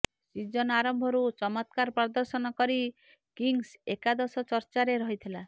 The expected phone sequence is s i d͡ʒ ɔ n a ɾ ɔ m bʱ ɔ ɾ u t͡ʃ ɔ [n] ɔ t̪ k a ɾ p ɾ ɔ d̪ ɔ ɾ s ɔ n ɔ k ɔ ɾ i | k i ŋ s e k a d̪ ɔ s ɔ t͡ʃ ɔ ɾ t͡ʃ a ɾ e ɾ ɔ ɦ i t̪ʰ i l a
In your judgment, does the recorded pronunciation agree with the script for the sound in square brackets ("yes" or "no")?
no